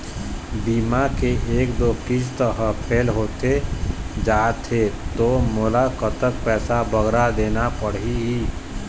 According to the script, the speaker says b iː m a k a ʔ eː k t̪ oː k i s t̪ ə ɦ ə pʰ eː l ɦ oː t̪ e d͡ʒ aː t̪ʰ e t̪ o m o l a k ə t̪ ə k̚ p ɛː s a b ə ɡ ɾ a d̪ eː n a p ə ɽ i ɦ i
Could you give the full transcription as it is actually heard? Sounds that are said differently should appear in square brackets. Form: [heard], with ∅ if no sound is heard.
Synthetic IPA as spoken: b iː m a k [e] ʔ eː k [d̪] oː k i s t̪ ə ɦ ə pʰ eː l ɦ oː t̪ e d͡ʒ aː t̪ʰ e t̪ o m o l a k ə t̪ ə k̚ p ɛː s a b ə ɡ ɾ a d̪ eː n a p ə ɽ i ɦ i

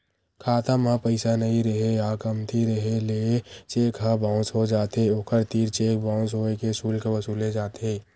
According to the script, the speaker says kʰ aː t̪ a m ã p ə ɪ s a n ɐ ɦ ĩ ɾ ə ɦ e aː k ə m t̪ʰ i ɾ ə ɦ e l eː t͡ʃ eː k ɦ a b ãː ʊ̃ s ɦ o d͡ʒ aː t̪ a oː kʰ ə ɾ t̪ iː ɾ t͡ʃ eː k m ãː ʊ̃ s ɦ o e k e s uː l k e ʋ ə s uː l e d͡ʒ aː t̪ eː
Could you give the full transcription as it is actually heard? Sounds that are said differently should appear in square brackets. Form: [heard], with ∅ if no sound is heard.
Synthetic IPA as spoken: kʰ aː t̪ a m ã p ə ɪ s a n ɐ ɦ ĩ ɾ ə ɦ e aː k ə m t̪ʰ i ɾ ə ɦ e l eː t͡ʃ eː k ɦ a b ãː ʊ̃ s ɦ o d͡ʒ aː t̪ [e] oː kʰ ə ɾ t̪ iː ɾ t͡ʃ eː k [b] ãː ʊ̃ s ɦ o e k e s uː l k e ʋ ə s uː l e d͡ʒ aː t̪ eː

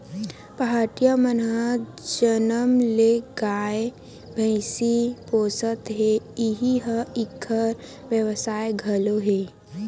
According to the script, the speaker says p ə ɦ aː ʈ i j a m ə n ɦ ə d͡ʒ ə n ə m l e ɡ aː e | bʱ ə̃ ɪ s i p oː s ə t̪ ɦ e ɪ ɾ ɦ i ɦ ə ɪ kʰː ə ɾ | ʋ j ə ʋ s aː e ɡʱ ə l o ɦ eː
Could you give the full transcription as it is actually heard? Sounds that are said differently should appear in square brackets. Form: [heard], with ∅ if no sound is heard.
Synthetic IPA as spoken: p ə ɦ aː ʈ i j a m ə n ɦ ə d͡ʒ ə n ə m l e ɡ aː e | bʱ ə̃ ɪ s i p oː s ə t̪ ɦ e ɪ [∅] ɦ i ɦ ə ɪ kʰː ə ɾ | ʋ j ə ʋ s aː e ɡʱ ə l o ɦ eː

